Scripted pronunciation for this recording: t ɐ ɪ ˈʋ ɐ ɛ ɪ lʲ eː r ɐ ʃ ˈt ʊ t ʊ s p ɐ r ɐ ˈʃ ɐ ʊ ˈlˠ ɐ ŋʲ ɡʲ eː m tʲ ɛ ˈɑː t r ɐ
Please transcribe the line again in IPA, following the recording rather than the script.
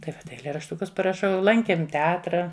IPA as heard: t ɐ ɪ ˈʋ ɐ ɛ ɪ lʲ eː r ɐ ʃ ˈt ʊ k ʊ s p ɐ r ɐ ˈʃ ɐ ʊ ˈlˠ ɐ ŋʲ kʲ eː m tʲ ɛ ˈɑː t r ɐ